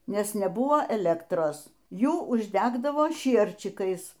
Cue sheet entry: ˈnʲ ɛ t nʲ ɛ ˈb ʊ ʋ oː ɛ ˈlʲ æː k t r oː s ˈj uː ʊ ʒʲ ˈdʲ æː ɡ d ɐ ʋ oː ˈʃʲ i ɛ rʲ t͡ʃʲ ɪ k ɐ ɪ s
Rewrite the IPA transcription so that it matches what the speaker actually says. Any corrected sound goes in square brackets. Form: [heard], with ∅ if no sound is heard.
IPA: ˈnʲ ɛ [s] nʲ ɛ ˈb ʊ ʋ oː ɛ ˈlʲ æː k t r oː s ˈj uː ʊ ʒʲ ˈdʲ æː ɡ d ɐ ʋ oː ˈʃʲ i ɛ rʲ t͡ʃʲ ɪ k ɐ ɪ s